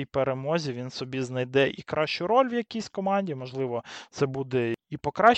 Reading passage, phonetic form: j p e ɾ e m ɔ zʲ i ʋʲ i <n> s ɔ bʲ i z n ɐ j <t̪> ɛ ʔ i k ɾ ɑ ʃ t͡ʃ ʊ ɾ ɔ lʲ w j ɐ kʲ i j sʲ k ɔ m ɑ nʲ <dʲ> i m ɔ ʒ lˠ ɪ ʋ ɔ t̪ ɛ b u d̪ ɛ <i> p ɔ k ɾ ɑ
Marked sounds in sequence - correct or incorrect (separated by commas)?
correct, incorrect, correct, correct